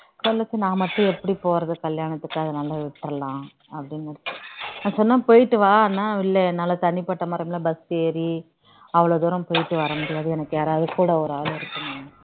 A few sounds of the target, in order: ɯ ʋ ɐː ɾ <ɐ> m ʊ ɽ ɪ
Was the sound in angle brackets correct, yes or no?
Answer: yes